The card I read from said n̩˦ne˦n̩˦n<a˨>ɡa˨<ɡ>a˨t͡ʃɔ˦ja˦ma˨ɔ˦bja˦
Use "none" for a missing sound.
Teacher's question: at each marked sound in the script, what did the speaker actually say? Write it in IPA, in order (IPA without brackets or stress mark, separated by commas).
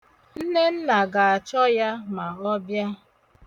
a˨, none